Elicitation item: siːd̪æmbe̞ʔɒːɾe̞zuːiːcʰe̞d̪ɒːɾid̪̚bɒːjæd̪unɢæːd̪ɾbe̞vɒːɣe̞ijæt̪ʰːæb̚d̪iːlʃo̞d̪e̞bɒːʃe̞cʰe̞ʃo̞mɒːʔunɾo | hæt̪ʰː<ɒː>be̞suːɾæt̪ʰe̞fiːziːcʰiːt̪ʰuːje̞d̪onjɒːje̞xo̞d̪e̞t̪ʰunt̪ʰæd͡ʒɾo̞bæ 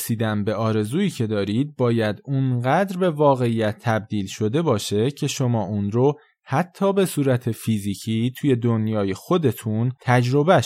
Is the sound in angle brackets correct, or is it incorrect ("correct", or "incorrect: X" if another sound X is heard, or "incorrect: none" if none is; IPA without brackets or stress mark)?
correct